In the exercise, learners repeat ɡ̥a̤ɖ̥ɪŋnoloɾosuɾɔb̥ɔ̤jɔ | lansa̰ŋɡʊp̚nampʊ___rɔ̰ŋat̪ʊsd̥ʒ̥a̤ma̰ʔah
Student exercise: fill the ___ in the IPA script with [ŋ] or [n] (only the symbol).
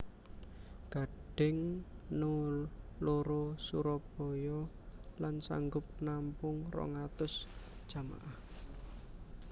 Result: ŋ